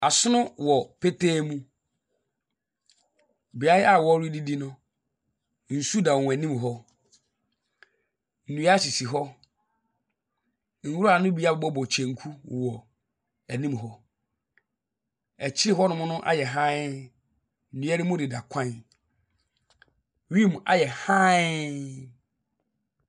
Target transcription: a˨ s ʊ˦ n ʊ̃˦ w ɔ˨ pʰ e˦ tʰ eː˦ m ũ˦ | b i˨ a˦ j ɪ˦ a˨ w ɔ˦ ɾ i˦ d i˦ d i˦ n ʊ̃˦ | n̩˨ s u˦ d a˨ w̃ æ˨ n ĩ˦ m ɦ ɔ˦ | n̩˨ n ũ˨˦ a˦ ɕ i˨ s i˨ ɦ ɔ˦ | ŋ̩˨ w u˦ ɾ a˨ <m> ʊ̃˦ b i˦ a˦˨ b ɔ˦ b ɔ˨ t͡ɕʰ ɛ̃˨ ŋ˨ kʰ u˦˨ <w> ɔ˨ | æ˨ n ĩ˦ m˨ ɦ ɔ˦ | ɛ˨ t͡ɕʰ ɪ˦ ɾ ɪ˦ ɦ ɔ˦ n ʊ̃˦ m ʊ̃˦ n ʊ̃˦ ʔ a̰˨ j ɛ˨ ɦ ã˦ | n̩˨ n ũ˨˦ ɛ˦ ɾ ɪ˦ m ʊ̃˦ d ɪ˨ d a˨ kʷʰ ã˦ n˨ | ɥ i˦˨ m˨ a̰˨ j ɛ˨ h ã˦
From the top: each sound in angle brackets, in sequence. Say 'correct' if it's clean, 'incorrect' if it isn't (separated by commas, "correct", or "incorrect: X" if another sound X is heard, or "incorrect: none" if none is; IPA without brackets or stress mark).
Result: incorrect: n, correct